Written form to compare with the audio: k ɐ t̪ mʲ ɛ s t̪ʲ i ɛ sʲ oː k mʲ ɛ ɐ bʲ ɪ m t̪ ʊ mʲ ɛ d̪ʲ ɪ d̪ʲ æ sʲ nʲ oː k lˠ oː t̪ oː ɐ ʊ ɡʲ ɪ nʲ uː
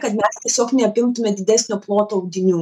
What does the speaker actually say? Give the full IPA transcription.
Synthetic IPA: k ɐ t̪ mʲ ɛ s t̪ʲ i ɛ sʲ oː k nʲ ɛ ɐ pʲ ɪ m t̪ ʊ mʲ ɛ d̪ʲ ɪ d̪ʲ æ sʲ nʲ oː p lˠ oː t̪ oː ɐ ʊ ɡʲ ɪ nʲ uː